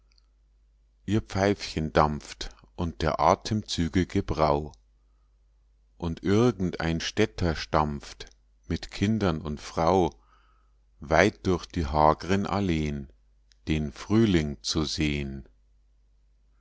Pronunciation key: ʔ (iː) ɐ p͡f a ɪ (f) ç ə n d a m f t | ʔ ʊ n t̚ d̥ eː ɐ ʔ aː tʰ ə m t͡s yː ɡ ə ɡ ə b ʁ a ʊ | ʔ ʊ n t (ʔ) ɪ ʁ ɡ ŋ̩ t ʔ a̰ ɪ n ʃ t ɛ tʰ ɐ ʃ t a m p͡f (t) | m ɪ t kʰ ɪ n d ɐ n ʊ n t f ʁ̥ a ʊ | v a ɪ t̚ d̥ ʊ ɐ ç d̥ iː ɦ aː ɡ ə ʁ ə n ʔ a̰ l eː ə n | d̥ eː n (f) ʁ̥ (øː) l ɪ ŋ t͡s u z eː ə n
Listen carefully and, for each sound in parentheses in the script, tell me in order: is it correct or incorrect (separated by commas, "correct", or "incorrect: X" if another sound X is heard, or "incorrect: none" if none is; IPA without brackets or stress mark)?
correct, correct, correct, correct, correct, incorrect: yː